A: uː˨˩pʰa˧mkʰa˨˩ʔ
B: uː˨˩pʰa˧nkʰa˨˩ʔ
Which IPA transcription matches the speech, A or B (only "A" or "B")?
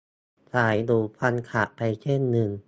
B